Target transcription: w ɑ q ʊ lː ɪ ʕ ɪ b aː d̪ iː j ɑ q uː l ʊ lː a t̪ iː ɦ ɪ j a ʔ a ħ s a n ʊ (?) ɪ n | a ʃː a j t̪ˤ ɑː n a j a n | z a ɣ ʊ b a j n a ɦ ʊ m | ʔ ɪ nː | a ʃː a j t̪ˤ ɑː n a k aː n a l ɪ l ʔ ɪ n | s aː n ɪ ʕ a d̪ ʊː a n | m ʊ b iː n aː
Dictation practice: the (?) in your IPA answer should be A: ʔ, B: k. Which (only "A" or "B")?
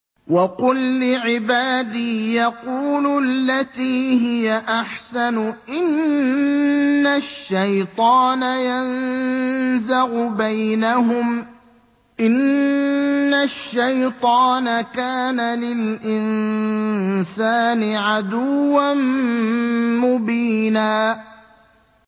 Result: A